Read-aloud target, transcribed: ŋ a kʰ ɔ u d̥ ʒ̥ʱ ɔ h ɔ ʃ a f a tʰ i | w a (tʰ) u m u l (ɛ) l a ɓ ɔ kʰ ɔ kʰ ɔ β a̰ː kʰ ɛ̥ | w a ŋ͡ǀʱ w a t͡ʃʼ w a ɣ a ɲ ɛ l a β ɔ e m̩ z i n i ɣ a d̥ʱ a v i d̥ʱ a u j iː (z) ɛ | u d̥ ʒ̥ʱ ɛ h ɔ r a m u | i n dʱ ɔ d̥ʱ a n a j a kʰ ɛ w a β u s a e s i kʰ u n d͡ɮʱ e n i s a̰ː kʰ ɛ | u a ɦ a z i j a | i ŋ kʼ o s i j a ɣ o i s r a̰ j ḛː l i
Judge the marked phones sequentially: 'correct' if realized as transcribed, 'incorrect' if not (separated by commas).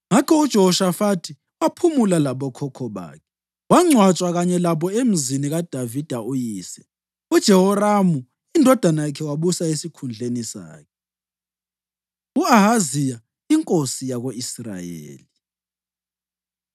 incorrect, incorrect, incorrect